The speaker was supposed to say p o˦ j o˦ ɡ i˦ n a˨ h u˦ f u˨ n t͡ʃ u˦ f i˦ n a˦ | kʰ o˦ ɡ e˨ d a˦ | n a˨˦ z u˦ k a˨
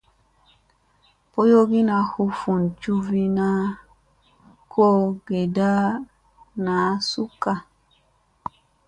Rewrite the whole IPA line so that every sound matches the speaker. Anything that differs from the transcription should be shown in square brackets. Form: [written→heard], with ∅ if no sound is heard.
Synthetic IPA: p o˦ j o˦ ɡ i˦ n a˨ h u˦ f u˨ n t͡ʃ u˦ [f→v] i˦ n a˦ | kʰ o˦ ɡ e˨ d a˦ | n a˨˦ [z→s] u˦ k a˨